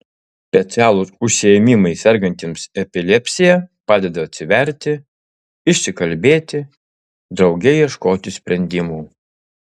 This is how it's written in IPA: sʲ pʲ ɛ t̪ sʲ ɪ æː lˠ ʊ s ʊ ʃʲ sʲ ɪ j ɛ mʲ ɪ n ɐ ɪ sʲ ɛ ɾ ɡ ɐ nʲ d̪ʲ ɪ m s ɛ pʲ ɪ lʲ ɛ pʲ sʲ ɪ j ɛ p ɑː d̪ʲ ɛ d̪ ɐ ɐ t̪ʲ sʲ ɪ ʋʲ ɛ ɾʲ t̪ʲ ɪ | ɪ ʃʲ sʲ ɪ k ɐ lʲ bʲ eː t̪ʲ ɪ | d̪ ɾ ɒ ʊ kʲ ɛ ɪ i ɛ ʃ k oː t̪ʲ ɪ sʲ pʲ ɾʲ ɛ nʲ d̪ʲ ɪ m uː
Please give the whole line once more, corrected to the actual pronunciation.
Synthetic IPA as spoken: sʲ pʲ ɛ t̪ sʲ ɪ æː lˠ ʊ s ʊ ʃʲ sʲ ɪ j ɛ mʲ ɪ m ɐ ɪ sʲ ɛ ɾ ɡ ɐ nʲ t̪ʲ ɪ m s ɛ pʲ ɪ lʲ ɛ pʲ sʲ ɪ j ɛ p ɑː d̪ʲ ɛ d̪ ɐ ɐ t̪ʲ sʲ ɪ ʋʲ ɛ ɾʲ t̪ʲ ɪ | ɪ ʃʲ sʲ ɪ k ɐ lʲ bʲ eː t̪ʲ ɪ | d̪ ɾ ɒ ʊ ɡʲ ɛ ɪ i ɛ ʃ k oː t̪ʲ ɪ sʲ pʲ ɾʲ ɛ nʲ d̪ʲ ɪ m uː

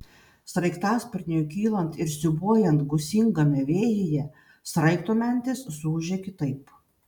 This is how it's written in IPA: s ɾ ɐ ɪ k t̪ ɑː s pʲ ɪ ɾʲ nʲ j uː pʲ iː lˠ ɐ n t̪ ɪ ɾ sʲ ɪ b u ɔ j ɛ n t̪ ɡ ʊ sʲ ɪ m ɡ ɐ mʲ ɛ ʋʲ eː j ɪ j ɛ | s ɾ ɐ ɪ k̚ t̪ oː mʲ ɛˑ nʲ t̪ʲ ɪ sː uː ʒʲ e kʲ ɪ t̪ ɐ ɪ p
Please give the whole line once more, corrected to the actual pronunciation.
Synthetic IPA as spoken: s ɾ ɐ ɪ k t̪ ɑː s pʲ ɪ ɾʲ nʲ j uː kʲ iː lˠ ɐ n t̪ ɪ ɾ sʲ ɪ b u ɔ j ɛ n t̪ ɡ ʊ sʲ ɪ ŋ ɡ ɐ mʲ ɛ ʋʲ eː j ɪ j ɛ | s ɾ ɐ ɪ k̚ t̪ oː mʲ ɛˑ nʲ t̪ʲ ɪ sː uː ʒʲ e kʲ ɪ t̪ ɐ ɪ p

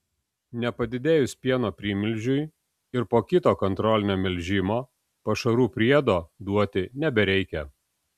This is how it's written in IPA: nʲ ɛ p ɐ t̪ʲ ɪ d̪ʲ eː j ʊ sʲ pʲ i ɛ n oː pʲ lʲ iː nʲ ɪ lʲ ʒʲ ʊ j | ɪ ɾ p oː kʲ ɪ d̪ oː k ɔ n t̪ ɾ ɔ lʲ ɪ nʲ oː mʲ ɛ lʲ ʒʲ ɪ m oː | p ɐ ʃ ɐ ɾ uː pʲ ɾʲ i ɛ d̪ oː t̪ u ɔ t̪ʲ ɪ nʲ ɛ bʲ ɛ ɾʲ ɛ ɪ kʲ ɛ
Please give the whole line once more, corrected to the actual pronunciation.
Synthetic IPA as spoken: nʲ ɛ p ɐ d̪ʲ ɪ d̪ʲ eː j ʊ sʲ pʲ i ɛ n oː pʲ ɾʲ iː mʲ ɪ lʲ ʒʲ ʊ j | ɪ ɾ p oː kʲ ɪ t̪ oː k ɔ n t̪ ɾ ɔ lʲ ɪ nʲ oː mʲ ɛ lʲ ʒʲ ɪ m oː | p ɐ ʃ ɐ ɾ uː pʲ ɾʲ i ɛ d̪ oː d̪ u ɔ t̪ʲ ɪ nʲ ɛ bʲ ɛ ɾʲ ɛ ɪ kʲ ɛ

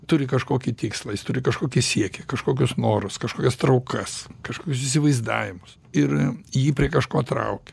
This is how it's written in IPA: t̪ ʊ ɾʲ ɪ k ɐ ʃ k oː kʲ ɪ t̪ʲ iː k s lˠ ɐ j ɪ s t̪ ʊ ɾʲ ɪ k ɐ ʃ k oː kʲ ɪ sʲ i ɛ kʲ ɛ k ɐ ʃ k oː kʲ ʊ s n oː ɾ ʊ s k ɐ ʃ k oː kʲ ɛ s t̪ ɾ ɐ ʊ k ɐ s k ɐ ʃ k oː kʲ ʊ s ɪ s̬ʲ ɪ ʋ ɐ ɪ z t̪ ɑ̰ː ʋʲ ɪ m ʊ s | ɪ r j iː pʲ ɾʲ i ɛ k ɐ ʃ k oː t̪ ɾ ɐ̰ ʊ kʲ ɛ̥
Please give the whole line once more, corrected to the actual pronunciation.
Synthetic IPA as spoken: t̪ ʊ ɾʲ ɪ k ɐ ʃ k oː kʲ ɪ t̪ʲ iː k s lˠ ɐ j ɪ s t̪ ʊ ɾʲ ɪ k ɐ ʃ k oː kʲ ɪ sʲ i ɛ kʲ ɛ k ɐ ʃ k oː kʲ ʊ s n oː ɾ ʊ s k ɐ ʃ k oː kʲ ɛ s t̪ ɾ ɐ ʊ k ɐ s k ɐ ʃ k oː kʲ ʊ s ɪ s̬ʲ ɪ ʋ ɐ ɪ z d̪ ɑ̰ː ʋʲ ɪ m ʊ s | ɪ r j iː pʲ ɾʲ i ɛ k ɐ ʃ k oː t̪ ɾ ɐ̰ ʊ kʲ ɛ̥

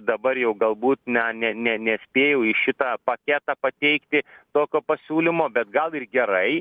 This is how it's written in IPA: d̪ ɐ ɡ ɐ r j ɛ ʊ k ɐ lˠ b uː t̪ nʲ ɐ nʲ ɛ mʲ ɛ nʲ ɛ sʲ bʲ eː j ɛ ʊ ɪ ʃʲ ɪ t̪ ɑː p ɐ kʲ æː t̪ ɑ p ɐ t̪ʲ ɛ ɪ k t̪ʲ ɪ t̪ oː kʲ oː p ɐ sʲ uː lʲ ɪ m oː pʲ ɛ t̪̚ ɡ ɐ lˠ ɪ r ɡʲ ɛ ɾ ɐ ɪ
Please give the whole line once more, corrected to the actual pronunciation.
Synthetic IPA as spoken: d̪ ɐ b ɐ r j ɛ ʊ ɡ ɐ lˠ b uː t̪ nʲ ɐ nʲ ɛ nʲ ɛ nʲ ɛ sʲ pʲ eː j ɛ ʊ ɪ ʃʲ ɪ t̪ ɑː p ɐ kʲ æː t̪ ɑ p ɐ t̪ʲ ɛ ɪ k t̪ʲ ɪ t̪ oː kʲ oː p ɐ sʲ uː lʲ ɪ m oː bʲ ɛ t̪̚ ɡ ɐ lˠ ɪ r ɡʲ ɛ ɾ ɐ ɪ

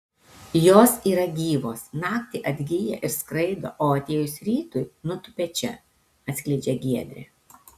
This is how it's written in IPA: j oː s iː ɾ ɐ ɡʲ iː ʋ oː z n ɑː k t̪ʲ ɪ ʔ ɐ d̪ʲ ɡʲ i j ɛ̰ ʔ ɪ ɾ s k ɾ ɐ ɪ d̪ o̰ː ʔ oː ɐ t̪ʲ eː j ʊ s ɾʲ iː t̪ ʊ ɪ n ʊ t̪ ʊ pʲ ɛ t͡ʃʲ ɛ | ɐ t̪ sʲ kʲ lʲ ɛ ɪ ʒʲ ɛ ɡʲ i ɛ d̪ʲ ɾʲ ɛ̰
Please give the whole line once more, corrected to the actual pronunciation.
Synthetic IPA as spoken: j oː s iː ɾ ɐ ɡʲ iː ʋ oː s n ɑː k t̪ʲ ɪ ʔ ɐ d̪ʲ ɡʲ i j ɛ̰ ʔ ɪ ɾ s k ɾ ɐ ɪ d̪ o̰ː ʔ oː ɐ t̪ʲ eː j ʊ s ɾʲ iː t̪ ʊ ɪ n ʊ t̪ ʊ pʲ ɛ t͡ʃʲ ɛ | ɐ t̪ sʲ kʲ lʲ ɛ ɪ d͡ʒʲ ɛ ɡʲ i ɛ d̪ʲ ɾʲ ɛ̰

